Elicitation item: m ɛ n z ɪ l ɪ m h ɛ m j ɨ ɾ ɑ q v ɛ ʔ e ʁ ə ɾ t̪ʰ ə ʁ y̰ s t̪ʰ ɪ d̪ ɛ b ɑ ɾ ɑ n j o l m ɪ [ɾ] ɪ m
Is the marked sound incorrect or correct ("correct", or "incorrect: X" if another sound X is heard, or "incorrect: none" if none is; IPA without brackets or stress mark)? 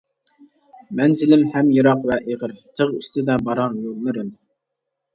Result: correct